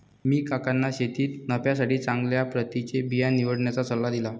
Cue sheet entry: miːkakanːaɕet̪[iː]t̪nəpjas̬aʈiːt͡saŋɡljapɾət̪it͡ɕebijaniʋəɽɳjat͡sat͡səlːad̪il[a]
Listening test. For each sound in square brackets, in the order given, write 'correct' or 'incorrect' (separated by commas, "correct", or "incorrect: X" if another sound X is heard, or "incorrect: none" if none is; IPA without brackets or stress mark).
correct, correct